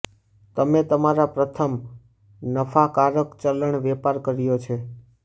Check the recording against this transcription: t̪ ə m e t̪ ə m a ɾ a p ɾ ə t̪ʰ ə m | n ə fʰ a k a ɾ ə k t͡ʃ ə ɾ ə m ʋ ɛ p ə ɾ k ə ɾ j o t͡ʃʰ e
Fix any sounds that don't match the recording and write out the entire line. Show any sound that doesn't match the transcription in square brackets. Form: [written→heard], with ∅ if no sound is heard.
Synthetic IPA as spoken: t̪ ə m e t̪ ə m a ɾ a p ɾ ə t̪ʰ ə m | n ə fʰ a k a ɾ ə k t͡ʃ ə [ɾ→l] ə [m→ɳ] ʋ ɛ p [ə→a] ɾ k ə ɾ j o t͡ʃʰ e